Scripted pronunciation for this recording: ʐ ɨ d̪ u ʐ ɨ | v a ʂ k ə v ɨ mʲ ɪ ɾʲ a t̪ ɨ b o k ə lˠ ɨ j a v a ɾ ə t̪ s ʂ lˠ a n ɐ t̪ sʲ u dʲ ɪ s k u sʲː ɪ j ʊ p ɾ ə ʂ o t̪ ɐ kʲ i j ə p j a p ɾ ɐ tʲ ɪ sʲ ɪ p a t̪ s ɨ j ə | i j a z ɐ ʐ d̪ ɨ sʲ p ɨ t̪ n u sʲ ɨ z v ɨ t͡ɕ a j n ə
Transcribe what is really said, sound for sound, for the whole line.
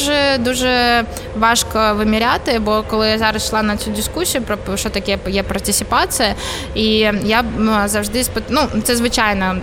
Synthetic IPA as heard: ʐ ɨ d̪ u ʐ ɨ | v a ʂ k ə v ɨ mʲ ɪ ɾʲ a t̪ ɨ b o k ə lˠ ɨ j a z a ɾ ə s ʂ lˠ a n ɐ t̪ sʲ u dʲ ɪ s k u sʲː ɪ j ʊ p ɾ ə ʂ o t̪ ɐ kʲ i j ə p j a p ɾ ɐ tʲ ɪ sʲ ɪ p a t̪ s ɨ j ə | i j a z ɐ ʐ d̪ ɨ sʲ p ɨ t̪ n u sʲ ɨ z v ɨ t͡ɕ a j n ə